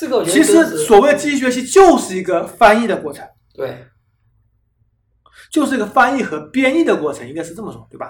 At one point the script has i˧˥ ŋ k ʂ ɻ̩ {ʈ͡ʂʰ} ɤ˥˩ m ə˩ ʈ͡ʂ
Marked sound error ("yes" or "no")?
yes